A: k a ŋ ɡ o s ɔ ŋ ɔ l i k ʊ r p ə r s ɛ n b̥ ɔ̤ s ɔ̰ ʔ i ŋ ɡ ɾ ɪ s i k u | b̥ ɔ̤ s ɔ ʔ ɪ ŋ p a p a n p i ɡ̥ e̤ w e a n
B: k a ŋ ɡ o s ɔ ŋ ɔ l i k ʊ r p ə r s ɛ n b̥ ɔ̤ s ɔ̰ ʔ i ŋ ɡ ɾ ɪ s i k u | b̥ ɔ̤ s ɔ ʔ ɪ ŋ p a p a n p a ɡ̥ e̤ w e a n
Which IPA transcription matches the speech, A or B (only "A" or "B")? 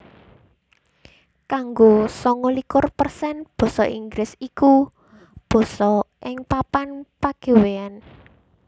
B